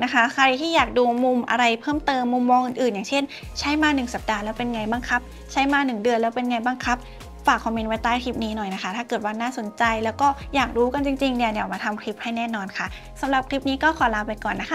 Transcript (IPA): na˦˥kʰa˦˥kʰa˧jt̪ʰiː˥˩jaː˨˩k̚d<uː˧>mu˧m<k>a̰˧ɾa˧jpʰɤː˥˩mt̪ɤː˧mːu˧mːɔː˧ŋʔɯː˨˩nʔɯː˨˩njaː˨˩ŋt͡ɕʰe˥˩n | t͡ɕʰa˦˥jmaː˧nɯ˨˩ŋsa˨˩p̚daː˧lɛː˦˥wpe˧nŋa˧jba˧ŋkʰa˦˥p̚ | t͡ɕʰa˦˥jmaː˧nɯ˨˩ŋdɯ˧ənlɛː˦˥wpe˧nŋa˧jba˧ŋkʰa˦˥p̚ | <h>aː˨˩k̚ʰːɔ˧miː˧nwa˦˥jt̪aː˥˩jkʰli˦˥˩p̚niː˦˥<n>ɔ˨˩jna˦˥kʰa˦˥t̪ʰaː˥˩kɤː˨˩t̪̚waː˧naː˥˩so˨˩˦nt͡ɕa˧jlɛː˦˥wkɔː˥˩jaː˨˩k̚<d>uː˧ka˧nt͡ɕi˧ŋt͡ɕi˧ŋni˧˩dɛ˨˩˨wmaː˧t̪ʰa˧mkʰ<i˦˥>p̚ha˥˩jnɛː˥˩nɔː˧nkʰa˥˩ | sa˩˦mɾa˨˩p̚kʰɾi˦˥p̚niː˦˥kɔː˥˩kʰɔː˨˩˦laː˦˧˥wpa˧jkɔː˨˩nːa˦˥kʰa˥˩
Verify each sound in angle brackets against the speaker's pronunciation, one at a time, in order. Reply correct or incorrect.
correct, incorrect: ʔ, incorrect: f, correct, correct, correct

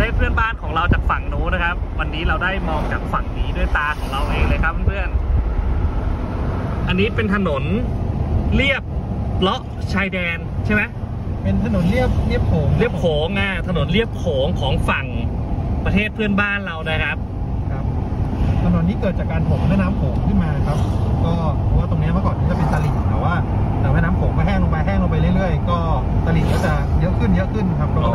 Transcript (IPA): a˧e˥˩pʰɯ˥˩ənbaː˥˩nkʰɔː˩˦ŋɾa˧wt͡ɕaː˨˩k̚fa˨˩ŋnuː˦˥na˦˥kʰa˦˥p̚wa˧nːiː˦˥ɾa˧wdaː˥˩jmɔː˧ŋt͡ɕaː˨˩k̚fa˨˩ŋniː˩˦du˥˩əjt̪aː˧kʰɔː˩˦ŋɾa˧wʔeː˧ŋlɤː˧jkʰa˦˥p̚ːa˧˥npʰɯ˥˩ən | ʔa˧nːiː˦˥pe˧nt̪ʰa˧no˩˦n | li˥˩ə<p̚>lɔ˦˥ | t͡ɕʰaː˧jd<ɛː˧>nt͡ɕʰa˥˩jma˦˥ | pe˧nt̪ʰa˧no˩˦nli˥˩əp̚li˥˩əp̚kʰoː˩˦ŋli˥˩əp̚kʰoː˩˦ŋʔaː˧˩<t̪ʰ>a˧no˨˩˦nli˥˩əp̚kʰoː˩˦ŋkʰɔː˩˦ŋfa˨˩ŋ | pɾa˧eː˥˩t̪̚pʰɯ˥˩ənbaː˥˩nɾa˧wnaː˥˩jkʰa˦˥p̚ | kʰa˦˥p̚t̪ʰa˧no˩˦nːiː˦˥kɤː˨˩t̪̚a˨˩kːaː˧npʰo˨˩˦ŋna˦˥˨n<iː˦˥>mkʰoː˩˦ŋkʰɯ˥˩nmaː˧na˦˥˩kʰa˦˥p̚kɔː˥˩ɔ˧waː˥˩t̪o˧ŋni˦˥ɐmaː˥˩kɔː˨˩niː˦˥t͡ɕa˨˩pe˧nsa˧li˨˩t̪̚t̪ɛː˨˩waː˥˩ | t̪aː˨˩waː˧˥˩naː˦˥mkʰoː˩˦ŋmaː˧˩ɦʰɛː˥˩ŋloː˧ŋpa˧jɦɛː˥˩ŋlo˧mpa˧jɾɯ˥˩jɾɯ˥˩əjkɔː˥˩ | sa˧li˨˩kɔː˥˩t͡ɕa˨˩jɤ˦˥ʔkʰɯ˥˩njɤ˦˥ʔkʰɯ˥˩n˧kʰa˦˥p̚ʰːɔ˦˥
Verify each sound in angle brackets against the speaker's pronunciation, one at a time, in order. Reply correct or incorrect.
correct, correct, correct, incorrect: aː˦˥

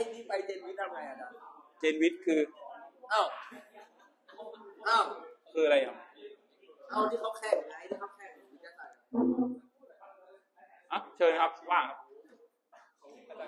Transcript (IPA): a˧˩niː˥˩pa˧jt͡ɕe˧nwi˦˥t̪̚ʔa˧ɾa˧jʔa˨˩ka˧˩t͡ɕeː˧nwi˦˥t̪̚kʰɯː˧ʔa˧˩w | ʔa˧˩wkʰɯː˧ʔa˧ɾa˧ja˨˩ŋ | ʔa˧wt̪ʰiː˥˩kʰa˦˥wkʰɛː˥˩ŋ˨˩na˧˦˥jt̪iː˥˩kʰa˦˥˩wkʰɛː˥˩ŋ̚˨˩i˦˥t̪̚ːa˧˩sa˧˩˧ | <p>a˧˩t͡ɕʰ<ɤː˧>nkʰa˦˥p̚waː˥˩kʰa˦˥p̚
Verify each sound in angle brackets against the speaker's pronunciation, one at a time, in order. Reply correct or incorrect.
incorrect: ʔ, correct

